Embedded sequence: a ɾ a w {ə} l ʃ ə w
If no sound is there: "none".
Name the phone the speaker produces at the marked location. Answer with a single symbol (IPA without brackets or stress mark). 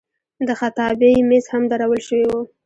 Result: ə